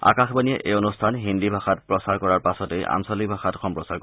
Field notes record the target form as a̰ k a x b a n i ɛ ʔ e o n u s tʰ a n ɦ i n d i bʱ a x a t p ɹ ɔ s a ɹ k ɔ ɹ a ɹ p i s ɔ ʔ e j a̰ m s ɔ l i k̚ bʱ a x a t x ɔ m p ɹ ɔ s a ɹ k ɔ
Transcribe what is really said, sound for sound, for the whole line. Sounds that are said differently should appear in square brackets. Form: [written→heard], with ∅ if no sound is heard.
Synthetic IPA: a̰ k a x b a n i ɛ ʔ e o n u s tʰ a n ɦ i n d i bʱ a x a t p ɹ ɔ s a ɹ k ɔ ɹ a ɹ p [i→a] s ɔ [ʔ→t] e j a̰ m s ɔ l i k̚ bʱ a x a t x ɔ m p ɹ ɔ s a ɹ k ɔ

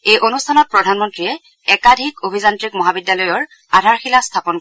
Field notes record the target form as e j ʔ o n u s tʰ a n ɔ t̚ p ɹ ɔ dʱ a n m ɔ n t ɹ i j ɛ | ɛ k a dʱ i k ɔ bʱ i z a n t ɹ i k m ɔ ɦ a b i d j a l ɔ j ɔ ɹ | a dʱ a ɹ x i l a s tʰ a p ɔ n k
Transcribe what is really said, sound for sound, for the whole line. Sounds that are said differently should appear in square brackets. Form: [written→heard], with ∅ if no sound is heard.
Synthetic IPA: e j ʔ o n u s tʰ a n ɔ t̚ p ɹ ɔ dʱ a n m ɔ n t ɹ i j ɛ | ɛ k a dʱ i k [ɔ→o] bʱ i z a n t ɹ i k m ɔ ɦ a b i d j a l ɔ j ɔ ɹ | a dʱ a ɹ x i l a s tʰ a p ɔ n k

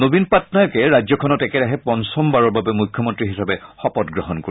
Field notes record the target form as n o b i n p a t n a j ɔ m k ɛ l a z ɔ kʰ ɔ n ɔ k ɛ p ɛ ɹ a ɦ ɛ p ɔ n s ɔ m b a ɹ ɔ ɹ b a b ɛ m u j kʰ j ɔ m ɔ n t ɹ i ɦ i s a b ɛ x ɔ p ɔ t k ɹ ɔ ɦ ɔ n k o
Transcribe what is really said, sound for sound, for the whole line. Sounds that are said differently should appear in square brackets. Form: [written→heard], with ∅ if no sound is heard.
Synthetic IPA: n o b i n p a t n a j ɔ [m→∅] k ɛ [l→ɹ] a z ɔ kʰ ɔ n ɔ [k→t] ɛ [p→k] ɛ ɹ a ɦ ɛ p ɔ n s ɔ m b a ɹ ɔ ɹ b a b ɛ m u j kʰ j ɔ m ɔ n t ɹ i ɦ i s a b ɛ x ɔ p ɔ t [k→ɡ] ɹ ɔ ɦ ɔ n k o

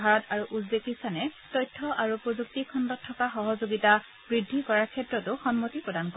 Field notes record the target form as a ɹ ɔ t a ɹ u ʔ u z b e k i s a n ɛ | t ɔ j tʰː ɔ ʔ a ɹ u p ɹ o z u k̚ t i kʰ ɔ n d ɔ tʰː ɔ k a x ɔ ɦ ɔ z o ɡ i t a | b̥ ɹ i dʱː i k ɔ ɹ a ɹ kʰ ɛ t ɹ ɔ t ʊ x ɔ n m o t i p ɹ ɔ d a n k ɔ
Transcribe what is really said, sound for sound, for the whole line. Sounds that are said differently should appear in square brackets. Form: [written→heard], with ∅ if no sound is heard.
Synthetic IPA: a ɹ ɔ t a ɹ u ʔ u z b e k i s a n ɛ | t ɔ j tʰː ɔ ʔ a ɹ u p ɹ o z u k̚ t i kʰ ɔ n d ɔ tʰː ɔ k a x ɔ ɦ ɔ z o ɡ i t a | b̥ ɹ i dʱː i k ɔ ɹ a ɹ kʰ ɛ t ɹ ɔ t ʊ x ɔ n m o t i p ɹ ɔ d a n k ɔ

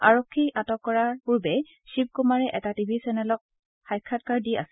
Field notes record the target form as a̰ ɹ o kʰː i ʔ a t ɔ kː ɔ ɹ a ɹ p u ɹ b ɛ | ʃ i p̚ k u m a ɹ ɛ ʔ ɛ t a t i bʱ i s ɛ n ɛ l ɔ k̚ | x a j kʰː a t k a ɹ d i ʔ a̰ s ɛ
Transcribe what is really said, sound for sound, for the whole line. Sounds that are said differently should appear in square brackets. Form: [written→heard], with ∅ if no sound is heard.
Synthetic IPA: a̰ ɹ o kʰː i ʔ a t ɔ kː ɔ ɹ a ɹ p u ɹ b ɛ | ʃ i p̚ k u m a ɹ ɛ ʔ ɛ t a t i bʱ i s ɛ n ɛ l ɔ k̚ | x a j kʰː a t k a ɹ d i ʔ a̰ s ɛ

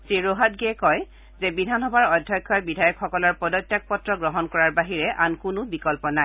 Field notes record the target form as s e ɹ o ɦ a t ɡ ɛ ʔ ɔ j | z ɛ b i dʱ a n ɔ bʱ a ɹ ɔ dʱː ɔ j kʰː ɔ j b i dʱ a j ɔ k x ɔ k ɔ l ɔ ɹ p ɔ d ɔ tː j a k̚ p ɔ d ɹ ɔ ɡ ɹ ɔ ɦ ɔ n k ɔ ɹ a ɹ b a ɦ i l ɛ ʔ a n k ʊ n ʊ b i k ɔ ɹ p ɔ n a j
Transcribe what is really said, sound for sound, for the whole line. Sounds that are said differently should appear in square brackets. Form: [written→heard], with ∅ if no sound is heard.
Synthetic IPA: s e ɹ o ɦ a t ɡ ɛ [ʔ→k] ɔ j | z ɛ b i dʱ a n ɔ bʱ a ɹ ɔ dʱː ɔ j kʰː ɔ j b i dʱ a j ɔ k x ɔ k ɔ l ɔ ɹ p ɔ d ɔ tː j a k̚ p ɔ [d→t] ɹ ɔ ɡ ɹ ɔ ɦ ɔ n k ɔ ɹ a ɹ b a ɦ i [l→ɹ] ɛ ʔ a n k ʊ n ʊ b i k ɔ [ɹ→l] p ɔ n a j

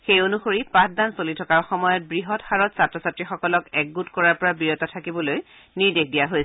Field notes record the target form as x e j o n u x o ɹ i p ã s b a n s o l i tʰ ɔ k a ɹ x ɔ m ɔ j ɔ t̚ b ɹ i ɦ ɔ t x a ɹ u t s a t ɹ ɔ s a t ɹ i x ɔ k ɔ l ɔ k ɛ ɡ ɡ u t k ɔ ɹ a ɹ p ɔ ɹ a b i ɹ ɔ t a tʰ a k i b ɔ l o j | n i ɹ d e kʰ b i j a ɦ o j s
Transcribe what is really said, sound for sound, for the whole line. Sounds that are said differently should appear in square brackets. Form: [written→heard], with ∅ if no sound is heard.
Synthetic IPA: x e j o n u x o ɹ i p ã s [b→d] a n s o l i tʰ ɔ k a ɹ x ɔ m ɔ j ɔ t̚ b ɹ i ɦ ɔ t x a ɹ [u→ɔ] t s a t ɹ ɔ s a t ɹ i x ɔ k ɔ l ɔ k ɛ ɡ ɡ u t k ɔ ɹ a ɹ p ɔ ɹ a b i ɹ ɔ t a tʰ a k i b ɔ l o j | n i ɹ d e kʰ [b→d] i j a ɦ o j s

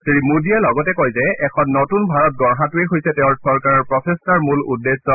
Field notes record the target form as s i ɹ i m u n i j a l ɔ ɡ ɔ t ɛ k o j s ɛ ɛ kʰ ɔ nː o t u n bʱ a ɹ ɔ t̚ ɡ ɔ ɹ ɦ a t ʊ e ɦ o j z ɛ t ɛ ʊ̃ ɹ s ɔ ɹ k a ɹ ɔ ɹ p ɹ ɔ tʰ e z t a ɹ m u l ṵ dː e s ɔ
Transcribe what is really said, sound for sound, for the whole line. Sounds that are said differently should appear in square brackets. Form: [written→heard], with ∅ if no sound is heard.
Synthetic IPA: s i ɹ i m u [n→d] i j a l ɔ ɡ ɔ t ɛ k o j [s→z] ɛ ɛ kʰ ɔ nː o t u n bʱ a ɹ ɔ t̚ ɡ ɔ ɹ ɦ a t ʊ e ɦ o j [z→s] ɛ t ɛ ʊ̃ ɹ s ɔ ɹ k a ɹ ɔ ɹ p ɹ ɔ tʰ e [z→s] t a ɹ m u l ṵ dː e s ɔ

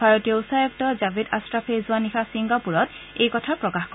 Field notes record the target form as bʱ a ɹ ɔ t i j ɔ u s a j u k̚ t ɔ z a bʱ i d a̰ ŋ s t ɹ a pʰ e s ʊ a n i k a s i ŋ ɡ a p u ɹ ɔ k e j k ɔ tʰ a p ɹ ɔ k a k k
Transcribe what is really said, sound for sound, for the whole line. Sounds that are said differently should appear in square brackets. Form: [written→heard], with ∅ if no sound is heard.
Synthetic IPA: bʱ a ɹ ɔ t i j ɔ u s a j [u→ɔ] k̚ t ɔ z a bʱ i d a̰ [ŋ→∅] s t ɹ a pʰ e [s→z] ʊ a n i [k→x] a s i ŋ ɡ a p u ɹ ɔ [k→t] e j k ɔ tʰ a p ɹ ɔ k a [k→x] k

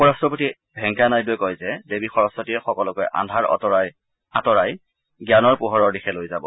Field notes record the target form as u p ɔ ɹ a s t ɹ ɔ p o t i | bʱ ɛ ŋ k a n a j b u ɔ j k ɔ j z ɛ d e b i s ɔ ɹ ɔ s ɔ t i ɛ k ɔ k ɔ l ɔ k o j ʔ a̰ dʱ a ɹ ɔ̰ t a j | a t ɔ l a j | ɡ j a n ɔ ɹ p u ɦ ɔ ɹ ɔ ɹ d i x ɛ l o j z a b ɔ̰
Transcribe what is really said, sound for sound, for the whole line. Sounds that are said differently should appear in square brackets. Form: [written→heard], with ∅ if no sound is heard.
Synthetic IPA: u p ɔ ɹ a s t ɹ ɔ p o t i | bʱ ɛ ŋ k a n a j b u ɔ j k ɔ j z ɛ d e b i [s→x] ɔ ɹ ɔ s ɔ t i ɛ [k→x] ɔ k ɔ l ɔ k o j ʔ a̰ dʱ a ɹ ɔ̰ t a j | a t ɔ [l→ɹ] a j | ɡ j a n ɔ ɹ p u ɦ ɔ ɹ ɔ ɹ d i x ɛ l o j z a b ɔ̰

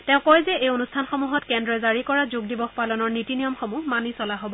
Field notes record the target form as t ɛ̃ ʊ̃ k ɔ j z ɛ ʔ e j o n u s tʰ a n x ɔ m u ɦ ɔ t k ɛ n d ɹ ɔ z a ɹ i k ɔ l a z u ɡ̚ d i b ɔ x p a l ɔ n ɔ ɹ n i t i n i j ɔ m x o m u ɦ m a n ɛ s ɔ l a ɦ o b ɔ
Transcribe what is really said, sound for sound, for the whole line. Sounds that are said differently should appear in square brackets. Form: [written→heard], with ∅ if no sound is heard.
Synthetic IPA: t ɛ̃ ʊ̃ k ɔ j z ɛ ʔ e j o n u s tʰ a n x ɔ m u ɦ ɔ t k ɛ n d ɹ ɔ z a ɹ i k ɔ [l→ɹ] a z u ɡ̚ d i b ɔ x p a l ɔ n ɔ ɹ n i t i n i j ɔ m x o m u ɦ m a n [ɛ→i] s ɔ l a ɦ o b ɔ

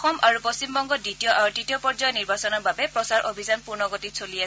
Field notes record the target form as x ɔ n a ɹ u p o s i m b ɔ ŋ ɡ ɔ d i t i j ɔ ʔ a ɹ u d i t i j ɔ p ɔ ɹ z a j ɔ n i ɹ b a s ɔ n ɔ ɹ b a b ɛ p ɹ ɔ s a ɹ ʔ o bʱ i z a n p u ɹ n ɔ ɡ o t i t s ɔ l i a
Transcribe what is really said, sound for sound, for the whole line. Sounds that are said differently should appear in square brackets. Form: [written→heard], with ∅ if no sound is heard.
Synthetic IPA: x ɔ [n→m] a ɹ u p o s i m b ɔ ŋ ɡ ɔ d i t i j ɔ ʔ a ɹ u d i t i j ɔ p ɔ ɹ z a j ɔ n i ɹ b a s ɔ n ɔ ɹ b a b ɛ p ɹ ɔ s a ɹ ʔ o bʱ i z a n p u ɹ n ɔ ɡ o t i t s [ɔ→o] l i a

